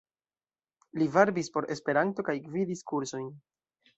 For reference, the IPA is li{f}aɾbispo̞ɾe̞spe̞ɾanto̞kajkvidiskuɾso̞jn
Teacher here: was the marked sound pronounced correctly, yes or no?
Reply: no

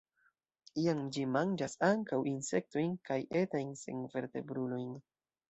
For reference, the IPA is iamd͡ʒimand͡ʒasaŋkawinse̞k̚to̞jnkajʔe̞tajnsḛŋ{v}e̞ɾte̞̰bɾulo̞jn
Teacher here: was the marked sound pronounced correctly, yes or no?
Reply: yes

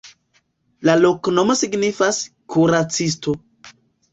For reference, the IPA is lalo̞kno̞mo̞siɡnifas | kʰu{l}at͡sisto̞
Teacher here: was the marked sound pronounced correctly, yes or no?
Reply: no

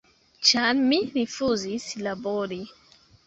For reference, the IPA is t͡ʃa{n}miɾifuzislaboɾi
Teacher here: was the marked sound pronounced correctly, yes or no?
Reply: yes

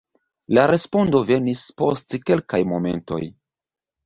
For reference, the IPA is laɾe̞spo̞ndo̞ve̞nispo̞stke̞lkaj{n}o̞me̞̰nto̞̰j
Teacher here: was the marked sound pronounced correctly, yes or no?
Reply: no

